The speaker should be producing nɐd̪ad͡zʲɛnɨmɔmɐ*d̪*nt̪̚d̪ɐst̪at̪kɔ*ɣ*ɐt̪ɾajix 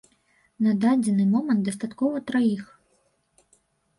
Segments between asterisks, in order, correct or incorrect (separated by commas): incorrect, incorrect